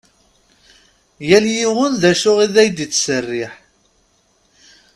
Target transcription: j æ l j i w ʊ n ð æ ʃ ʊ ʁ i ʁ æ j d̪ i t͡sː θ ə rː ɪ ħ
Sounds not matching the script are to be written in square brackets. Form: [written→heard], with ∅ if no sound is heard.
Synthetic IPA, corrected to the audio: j æ l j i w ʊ n ð æ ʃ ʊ ʁ i [ʁ→ð] æ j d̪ i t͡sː [θ→s] ə rː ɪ ħ